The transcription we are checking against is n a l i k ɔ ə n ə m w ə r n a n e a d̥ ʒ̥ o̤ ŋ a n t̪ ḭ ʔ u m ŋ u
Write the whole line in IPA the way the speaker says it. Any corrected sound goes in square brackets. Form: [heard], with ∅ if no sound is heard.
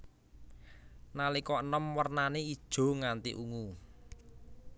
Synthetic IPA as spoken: n a l i k ɔ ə n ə m w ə r n a n e [i] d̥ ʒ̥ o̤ ŋ a n t̪ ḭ ʔ u [∅] ŋ u